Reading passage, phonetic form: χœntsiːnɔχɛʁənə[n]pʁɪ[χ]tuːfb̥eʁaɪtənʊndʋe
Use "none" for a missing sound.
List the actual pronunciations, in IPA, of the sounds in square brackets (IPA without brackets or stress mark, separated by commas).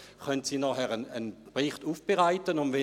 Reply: n, χ